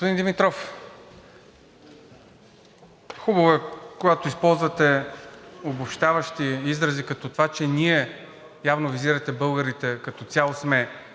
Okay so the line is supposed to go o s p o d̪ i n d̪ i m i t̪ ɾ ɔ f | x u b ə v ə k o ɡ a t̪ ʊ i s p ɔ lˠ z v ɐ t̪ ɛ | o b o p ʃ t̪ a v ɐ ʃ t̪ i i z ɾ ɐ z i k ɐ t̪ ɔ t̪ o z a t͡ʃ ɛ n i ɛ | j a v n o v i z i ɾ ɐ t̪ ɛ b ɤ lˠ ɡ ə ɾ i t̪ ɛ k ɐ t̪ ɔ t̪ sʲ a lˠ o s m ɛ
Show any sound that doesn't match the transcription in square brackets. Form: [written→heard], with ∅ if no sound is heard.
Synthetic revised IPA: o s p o d̪ i n d̪ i m i t̪ ɾ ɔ f | x u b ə v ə k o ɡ a t̪ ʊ i s p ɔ lˠ z v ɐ t̪ ɛ | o b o p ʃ t̪ a v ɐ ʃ t̪ i i z ɾ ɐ z i k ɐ t̪ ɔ t̪ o [z→v] a t͡ʃ ɛ n i ɛ | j a v n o v i z i ɾ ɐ t̪ ɛ b ɤ lˠ ɡ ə ɾ i t̪ ɛ k ɐ t̪ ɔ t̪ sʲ a lˠ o s m ɛ